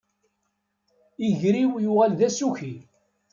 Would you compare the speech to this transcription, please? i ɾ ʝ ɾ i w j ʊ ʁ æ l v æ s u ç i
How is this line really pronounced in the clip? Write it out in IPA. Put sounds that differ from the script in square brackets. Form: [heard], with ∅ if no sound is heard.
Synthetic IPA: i [∅] ʝ ɾ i w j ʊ ʁ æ l [ð] æ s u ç i